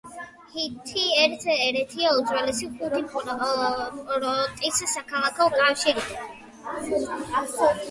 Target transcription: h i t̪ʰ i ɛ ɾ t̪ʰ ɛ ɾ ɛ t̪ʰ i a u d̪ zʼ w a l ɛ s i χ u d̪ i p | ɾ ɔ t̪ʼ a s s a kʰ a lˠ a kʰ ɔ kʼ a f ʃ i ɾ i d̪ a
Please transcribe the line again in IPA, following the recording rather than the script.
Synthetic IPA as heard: h i t̪ʰ i ɛ ɾ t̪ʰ ɛ ɾ ɛ t̪ʰ i a u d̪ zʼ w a l ɛ s i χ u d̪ i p | ɾ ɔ t̪ʼ i s s a kʰ a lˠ a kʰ ɔ kʼ a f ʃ i ɾ i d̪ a